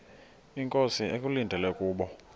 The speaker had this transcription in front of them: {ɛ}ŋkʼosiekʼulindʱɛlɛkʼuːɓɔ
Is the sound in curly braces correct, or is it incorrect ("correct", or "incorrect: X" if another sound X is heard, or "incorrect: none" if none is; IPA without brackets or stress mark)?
incorrect: i